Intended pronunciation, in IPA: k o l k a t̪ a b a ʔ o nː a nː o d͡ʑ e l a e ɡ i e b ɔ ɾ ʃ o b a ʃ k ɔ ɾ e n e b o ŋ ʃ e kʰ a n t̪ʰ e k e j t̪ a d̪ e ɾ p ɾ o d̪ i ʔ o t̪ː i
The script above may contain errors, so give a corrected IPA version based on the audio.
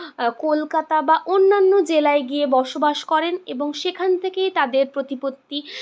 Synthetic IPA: k o l k a t̪ a b a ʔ o nː a nː o d͡ʑ e l a e ɡ i e b ɔ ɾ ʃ o b a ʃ k ɔ ɾ e n e b o ŋ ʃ e kʰ a n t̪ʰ e k e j t̪ a d̪ e ɾ p ɾ o t̪ i p o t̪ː i